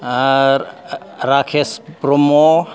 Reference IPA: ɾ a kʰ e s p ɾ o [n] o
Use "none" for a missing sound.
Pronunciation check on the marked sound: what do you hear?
m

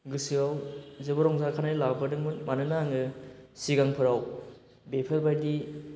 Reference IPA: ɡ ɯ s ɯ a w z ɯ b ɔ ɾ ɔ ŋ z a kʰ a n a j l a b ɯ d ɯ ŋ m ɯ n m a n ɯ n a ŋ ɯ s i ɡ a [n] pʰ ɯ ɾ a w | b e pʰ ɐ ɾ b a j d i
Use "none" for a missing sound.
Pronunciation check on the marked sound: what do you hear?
ŋ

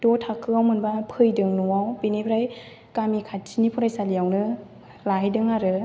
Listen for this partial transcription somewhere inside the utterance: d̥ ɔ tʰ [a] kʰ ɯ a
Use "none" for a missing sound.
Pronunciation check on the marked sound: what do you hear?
a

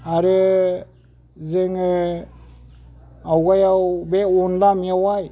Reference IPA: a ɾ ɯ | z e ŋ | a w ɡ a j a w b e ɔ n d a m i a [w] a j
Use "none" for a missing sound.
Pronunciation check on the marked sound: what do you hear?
w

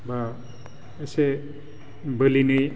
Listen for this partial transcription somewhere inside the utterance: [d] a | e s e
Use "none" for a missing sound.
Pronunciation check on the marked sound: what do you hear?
b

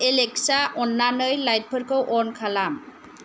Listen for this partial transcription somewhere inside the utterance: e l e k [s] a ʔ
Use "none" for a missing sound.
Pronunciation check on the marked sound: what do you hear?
s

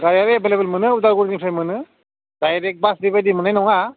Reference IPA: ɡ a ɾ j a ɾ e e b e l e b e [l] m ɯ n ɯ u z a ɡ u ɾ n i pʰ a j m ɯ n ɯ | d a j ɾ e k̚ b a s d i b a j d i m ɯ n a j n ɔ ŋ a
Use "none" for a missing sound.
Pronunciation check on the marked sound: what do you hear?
l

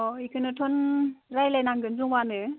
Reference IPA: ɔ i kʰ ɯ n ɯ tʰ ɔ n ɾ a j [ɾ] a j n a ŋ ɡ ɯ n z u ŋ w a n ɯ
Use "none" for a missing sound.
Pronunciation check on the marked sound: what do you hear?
l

